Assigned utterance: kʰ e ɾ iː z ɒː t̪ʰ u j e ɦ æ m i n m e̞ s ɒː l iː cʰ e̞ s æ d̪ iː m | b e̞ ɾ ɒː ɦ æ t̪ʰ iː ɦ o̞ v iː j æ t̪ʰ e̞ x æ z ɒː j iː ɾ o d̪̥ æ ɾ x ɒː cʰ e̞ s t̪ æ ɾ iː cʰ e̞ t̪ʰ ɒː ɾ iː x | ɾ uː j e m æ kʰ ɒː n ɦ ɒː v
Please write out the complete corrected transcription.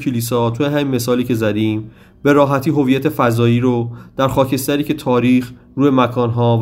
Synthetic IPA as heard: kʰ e l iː s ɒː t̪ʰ u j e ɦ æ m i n m e̞ s ɒː l iː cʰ e̞ z æ d̪ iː m | b e̞ ɾ ɒː ɦ æ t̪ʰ iː ɦ o̞ v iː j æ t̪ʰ e̞ f æ z ɒː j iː ɾ o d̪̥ æ ɾ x ɒː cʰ e̞ s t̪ æ ɾ iː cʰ e̞ t̪ʰ ɒː ɾ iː x | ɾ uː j e m æ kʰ ɒː n ɦ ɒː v